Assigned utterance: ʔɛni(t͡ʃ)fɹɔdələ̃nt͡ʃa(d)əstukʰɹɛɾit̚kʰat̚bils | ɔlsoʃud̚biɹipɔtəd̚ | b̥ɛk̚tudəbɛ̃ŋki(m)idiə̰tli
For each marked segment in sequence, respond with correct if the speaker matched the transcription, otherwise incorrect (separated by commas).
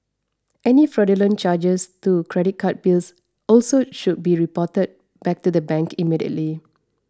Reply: incorrect, incorrect, correct